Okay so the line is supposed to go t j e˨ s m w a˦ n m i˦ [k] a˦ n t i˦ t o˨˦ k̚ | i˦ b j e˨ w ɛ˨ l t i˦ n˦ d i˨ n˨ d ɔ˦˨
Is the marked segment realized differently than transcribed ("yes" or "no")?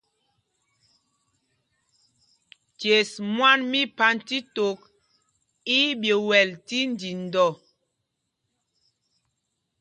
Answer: yes